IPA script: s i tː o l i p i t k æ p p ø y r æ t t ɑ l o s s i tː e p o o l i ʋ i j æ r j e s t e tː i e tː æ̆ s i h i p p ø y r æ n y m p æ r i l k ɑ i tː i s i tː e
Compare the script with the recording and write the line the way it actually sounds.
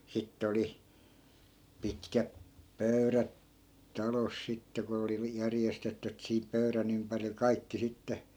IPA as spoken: s i tː o l i p i t k æ p p ø y r æ t t ɑ l o s s i tː e k o o l i ʋ i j æ r j e s t e tː y e tː æ̆ s i h i p p ø y r æ n y m p æ r i l k ɑ i kː i s i tː e

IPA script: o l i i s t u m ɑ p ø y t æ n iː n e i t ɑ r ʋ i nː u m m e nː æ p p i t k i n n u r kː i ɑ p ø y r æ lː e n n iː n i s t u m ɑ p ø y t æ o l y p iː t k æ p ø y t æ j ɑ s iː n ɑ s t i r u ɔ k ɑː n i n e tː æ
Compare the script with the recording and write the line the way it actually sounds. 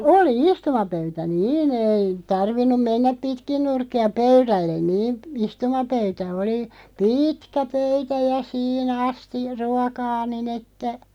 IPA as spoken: o l i i s t u m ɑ p ø y t æ n iː n e i t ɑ r ʋ i nː u m m e nː æ p p i t k i n n u r kː i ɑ p ø y r æ lː e n n iː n i s t u m ɑ p ø y t æ o l i p iː t k æ p ø y t æ j ɑ s iː n ɑ s t i r u ɔ k ɑː n i n e tː æ

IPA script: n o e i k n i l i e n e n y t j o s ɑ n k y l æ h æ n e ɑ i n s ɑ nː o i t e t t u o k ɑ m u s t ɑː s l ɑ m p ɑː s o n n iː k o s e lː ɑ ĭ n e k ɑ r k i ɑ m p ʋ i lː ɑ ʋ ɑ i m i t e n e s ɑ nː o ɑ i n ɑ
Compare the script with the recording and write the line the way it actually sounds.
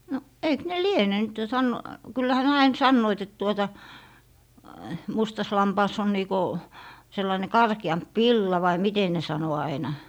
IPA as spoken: n o e i k n e l i e n e n y t j o s ɑ n k y lː æ h æ n e ɑ i n s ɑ nː o i t e t t u o t ɑ m u s t ɑ s l ɑ m p ɑː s o n n iː k o s e lː ɑ ĭ n e k ɑ r k i ɑ m p ʋ i lː ɑ ʋ ɑ i m i t e n e s ɑ n o ɑ i n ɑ

